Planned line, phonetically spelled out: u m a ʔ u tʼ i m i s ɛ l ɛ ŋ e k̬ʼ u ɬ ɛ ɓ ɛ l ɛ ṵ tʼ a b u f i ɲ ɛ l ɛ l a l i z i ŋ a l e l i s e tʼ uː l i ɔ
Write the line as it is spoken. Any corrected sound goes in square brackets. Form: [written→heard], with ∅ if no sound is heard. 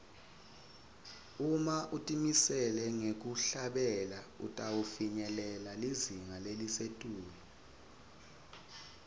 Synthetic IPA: u m a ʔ u tʼ i m i s ɛ l ɛ ŋ e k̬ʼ u ɬ [ɛ→a] ɓ ɛ l [ɛ→a] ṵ tʼ a [b→w] u f i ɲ ɛ l ɛ l a l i z i ŋ a l e l i s e tʼ uː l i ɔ